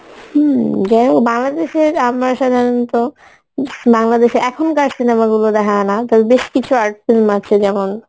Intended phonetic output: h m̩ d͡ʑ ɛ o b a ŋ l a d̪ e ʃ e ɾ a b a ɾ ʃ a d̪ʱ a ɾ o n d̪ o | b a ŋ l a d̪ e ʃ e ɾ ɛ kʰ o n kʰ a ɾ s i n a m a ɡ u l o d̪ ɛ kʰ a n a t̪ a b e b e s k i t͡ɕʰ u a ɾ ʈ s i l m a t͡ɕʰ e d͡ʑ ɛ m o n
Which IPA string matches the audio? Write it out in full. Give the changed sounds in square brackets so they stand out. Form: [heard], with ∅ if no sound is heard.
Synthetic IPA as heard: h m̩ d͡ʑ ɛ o b a ŋ l a d̪ e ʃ e ɾ a [m] a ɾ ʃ a d̪ʱ a ɾ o n [t̪] o | b a ŋ l a d̪ e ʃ e ɾ ɛ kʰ o n [k] a ɾ s i n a m a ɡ u l o d̪ ɛ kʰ a n a t̪ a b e b e [ʃ] k i t͡ɕʰ u a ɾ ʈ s i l m a t͡ɕʰ e d͡ʑ ɛ m o n